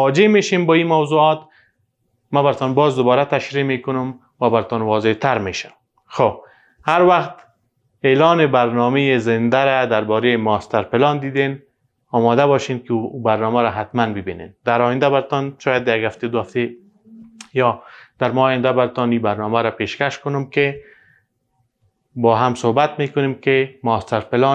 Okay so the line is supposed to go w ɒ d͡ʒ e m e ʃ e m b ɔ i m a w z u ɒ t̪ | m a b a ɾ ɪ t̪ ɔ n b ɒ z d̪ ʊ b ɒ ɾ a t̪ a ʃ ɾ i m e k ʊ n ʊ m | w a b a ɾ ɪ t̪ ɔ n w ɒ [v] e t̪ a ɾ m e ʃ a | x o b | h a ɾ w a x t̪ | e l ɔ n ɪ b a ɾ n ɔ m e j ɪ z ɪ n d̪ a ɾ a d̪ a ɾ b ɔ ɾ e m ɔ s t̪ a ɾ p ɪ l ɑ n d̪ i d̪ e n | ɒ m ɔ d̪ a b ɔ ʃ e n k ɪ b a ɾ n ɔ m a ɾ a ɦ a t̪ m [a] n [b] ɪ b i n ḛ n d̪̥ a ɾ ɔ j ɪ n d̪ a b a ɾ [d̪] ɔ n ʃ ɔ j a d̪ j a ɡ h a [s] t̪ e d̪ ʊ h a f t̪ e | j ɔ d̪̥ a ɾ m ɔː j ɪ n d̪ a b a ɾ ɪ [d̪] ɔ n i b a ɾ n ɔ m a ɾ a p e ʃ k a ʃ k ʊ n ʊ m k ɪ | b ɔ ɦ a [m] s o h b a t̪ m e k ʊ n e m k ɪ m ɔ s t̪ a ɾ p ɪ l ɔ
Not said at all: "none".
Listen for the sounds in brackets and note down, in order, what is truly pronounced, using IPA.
z, a, b, t̪, f, t̪, m

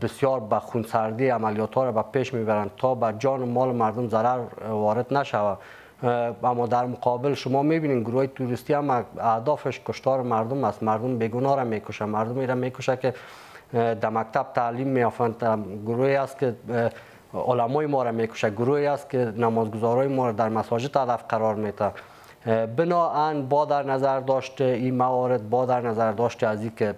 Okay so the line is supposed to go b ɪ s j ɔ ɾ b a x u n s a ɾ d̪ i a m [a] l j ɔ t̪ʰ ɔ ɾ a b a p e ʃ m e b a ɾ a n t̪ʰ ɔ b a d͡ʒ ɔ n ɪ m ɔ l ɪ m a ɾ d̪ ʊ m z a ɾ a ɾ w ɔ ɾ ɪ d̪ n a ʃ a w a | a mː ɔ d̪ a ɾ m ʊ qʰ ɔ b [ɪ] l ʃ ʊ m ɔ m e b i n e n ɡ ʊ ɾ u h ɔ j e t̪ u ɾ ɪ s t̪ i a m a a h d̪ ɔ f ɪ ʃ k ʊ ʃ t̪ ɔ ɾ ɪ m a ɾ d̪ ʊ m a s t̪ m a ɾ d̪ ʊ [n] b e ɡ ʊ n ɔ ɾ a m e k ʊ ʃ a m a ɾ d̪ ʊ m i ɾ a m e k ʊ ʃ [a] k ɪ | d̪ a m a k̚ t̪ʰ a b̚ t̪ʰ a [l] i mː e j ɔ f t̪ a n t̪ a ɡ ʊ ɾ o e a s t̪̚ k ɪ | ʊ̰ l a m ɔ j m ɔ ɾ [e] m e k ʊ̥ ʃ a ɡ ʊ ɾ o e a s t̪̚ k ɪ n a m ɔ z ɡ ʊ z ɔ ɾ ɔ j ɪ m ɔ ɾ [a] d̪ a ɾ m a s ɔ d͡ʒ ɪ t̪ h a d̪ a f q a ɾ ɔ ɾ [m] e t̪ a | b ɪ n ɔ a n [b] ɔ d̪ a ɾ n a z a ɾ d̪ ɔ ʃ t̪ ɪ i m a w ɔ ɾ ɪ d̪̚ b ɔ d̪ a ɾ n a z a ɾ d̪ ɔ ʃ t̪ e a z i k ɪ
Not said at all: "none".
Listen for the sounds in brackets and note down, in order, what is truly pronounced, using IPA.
a, ɪ, m, a, l, a, a, m, b

